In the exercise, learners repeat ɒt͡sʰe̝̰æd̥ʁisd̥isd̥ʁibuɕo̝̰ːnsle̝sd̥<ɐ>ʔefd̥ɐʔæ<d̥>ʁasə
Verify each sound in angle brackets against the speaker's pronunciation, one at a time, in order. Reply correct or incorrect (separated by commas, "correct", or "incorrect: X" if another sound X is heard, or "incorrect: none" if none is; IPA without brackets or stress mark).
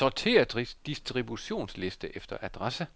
incorrect: ə, correct